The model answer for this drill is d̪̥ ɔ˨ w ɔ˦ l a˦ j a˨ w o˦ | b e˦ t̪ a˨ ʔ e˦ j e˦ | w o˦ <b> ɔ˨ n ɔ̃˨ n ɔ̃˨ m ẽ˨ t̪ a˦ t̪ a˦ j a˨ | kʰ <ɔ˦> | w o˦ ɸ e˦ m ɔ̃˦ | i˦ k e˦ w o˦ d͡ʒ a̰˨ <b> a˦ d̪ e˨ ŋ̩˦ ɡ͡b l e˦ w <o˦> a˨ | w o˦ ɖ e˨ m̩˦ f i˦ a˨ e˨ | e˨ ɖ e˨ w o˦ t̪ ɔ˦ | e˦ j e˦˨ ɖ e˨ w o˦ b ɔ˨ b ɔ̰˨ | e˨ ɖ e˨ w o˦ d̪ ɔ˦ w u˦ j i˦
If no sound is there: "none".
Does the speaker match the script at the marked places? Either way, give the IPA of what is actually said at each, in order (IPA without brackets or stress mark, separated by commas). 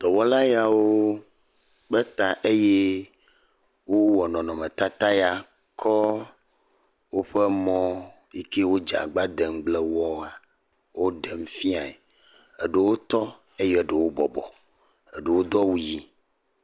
w, ɔ˦, ɡ͡b, ɔ˦